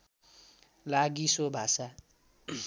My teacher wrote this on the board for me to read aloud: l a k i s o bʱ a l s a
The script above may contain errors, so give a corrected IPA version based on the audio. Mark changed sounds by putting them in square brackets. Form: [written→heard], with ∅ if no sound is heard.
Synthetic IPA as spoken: l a [k→ɡ] i s o bʱ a [l→∅] s a